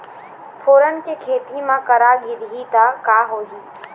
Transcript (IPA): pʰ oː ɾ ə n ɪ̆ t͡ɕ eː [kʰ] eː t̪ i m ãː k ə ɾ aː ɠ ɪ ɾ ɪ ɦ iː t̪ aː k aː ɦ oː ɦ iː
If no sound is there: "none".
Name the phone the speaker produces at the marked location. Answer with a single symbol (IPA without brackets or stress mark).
kʰ